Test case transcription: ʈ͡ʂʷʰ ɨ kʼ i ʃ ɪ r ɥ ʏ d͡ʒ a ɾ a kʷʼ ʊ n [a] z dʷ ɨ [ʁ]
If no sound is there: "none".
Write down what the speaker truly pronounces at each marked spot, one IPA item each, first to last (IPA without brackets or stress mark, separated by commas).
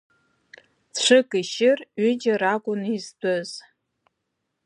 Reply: i, z